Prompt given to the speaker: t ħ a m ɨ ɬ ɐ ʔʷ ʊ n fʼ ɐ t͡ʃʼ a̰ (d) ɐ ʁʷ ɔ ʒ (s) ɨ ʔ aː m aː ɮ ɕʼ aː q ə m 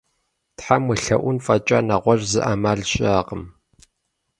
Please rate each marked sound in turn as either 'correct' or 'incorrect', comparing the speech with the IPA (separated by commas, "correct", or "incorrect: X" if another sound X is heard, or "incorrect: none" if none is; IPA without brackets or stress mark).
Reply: incorrect: n, incorrect: z